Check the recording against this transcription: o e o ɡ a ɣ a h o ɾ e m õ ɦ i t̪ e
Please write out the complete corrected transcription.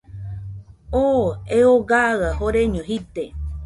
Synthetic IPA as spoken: o e o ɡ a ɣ a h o ɾ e ɲ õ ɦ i t̪ e